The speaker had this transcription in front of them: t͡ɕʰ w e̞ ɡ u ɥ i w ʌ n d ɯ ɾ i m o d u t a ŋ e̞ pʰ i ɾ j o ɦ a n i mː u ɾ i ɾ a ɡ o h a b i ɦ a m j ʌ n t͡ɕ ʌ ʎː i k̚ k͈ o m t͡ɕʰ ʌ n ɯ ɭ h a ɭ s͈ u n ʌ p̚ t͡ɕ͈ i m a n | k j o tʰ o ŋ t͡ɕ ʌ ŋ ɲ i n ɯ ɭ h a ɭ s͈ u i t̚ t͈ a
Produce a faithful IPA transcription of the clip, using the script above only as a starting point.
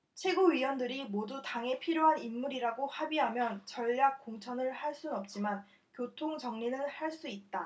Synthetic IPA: t͡ɕʰ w e̞ ɡ u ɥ i w ʌ n d ɯ ɾ i m o d u t a ŋ e̞ pʰ i ɾ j o ɦ a n i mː u ɾ i ɾ a ɡ o h a b i ɦ a m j ʌ n t͡ɕ ʌ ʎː a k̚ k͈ o ŋ t͡ɕʰ ʌ n ɯ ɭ h a ɭ s͈ u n ʌ p̚ t͡ɕ͈ i m a n | k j o tʰ o ŋ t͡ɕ ʌ ŋ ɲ i n ɯ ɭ h a ɭ s͈ u i t̚ t͈ a

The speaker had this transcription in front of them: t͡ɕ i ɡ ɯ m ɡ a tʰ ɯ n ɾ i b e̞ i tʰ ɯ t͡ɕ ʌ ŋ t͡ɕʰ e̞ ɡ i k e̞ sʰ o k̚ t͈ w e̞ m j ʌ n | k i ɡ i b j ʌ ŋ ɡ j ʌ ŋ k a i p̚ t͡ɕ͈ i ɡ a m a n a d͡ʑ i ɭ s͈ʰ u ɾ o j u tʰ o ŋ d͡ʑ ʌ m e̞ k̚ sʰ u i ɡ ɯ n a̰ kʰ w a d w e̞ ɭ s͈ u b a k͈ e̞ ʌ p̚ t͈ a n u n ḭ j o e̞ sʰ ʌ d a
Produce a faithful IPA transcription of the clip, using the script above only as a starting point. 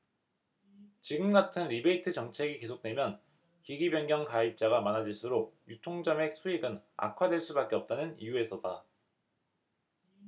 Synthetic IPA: t͡ɕ i ɡ ɯ m ɡ a tʰ ɯ n ɾ i b e̞ i tʰ ɯ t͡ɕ ʌ ŋ t͡ɕʰ e̞ ɡ i k e̞ sʰ o k̚ t͈ w e̞ m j ʌ n | k i ɡ i b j ʌ ŋ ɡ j ʌ ŋ k a i p̚ t͡ɕ͈ a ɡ a m a n a d͡ʑ i ɭ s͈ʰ u ɾ o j u tʰ o ŋ d͡ʑ ʌ m e̞ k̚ sʰ u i ɡ ɯ n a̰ kʰ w a d w e̞ ɭ s͈ u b a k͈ e̞ ʌ p̚ t͈ a n ɯ n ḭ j u e̞ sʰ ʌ d a

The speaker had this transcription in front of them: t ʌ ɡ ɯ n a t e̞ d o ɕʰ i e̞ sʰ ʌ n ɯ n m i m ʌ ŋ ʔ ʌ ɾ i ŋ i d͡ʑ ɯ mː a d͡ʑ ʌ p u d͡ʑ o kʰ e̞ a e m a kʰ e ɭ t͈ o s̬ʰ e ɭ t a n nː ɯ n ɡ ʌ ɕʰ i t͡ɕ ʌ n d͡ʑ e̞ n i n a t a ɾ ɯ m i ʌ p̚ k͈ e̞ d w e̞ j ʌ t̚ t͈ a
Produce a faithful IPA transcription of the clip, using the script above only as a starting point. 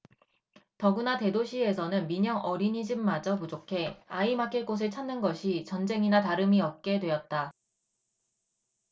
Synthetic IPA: t ʌ ɡ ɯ n a t e̞ d o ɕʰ i e̞ sʰ ʌ n ɯ n m i ɲ ʌ ŋ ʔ ʌ ɾ i ɲ i d͡ʑ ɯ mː a d͡ʑ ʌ p u d͡ʑ o kʰ e̞ a i m a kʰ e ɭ k͈ o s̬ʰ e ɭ t͡ɕʰ a n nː ɯ n ɡ ʌ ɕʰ i t͡ɕ ʌ n d͡ʑ e̞ ŋ i n a t a ɾ ɯ m i ʌ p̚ k͈ e̞ d w e̞ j ʌ t̚ t͈ a

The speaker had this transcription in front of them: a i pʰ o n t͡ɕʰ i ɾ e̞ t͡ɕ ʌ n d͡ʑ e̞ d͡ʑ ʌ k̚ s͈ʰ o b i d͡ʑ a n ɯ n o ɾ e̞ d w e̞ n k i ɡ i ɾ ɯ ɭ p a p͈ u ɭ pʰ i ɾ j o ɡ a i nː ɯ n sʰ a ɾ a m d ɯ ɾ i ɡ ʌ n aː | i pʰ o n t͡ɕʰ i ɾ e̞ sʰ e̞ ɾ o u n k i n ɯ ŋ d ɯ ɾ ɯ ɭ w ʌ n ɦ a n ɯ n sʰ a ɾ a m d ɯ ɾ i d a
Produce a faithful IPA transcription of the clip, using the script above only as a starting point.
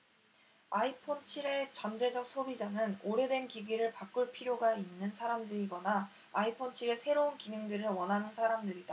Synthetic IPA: a i pʰ o n t͡ɕʰ i ɾ e̞ t͡ɕ ʌ n d͡ʑ e̞ d͡ʑ ʌ k̚ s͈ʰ o b i d͡ʑ a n ɯ n o ɾ e̞ d w e̞ n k i ɡ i ɾ ɯ ɭ p a k͈ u ɭ pʰ i ɾ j o ɡ a i nː ɯ n sʰ a ɾ a m d ɯ ɾ i ɡ ʌ n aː | i pʰ o n t͡ɕʰ i ɾ e̞ sʰ e̞ ɾ o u n k i n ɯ ŋ d ɯ ɾ ɯ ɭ w ʌ n ɦ a n ɯ n sʰ a ɾ a m d ɯ ɾ i d a

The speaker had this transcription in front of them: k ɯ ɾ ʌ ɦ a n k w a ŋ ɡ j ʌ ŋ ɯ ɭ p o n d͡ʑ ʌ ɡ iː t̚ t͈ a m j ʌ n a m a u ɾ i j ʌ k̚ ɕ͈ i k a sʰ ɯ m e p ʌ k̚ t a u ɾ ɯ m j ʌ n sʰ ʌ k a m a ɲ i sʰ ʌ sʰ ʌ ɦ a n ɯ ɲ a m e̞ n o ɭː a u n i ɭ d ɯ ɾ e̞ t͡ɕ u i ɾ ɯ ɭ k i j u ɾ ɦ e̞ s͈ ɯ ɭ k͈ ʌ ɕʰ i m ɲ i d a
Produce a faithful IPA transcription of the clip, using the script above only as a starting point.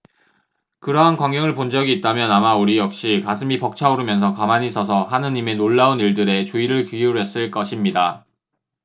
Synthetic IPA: k ɯ ɾ ʌ ɦ a n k w a ŋ ɡ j ʌ ŋ ɯ ɭ p o n d͡ʑ ʌ ɡ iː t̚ t͈ a m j ʌ n a m a u ɾ i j ʌ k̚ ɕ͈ i k a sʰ ɯ m i p ʌ k̚ t͡ɕʰ a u ɾ ɯ m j ʌ n sʰ ʌ k a m a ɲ i sʰ ʌ sʰ ʌ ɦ a n ɯ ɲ i m e̞ n o ɭː a u n i ɭ d ɯ ɾ e̞ t͡ɕ u i ɾ ɯ ɭ k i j u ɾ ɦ e̞ s͈ ɯ ɭ k͈ ʌ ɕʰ i m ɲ i d a

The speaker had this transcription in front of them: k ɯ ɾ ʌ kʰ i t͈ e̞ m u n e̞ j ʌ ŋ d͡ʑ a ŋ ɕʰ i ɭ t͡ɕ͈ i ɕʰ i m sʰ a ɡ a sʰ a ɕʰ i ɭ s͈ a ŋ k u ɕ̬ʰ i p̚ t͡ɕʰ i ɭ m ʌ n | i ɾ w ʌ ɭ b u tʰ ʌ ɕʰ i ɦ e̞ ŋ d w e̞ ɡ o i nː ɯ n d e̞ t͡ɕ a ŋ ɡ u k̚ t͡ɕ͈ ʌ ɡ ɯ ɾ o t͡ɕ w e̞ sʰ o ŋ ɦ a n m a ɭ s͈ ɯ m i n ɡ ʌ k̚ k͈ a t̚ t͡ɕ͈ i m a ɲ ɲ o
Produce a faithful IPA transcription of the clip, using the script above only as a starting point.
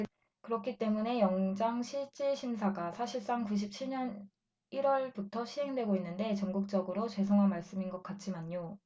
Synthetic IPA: k ɯ ɾ ʌ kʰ i t͈ e̞ m u n e̞ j ʌ ŋ d͡ʑ a ŋ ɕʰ i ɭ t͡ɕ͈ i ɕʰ i m sʰ a ɡ a sʰ a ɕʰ i ɭ s͈ a ŋ k u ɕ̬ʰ i p̚ t͡ɕʰ i ɭ ɲ ʌ n | i ɾ w ʌ ɭ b u tʰ ʌ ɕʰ i ɦ e̞ ŋ d w e̞ ɡ o i nː ɯ n d e̞ t͡ɕ ʌ ŋ ɡ u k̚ t͡ɕ͈ ʌ ɡ ɯ ɾ o t͡ɕ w e̞ sʰ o ŋ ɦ a n m a ɭ s͈ ɯ m i n ɡ ʌ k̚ k͈ a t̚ t͡ɕ͈ i m a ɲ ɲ o

